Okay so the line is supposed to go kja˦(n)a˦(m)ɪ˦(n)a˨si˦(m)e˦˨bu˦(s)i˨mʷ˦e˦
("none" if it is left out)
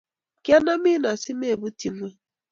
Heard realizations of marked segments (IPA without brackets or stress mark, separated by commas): n, m, n, m, t